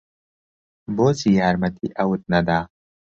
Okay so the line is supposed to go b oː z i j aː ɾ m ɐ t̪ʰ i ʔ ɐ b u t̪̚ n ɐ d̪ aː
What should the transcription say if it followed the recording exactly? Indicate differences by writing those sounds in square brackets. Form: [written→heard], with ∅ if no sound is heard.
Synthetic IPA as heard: b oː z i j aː ɾ m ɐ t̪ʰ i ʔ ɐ [b→w] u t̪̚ n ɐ d̪ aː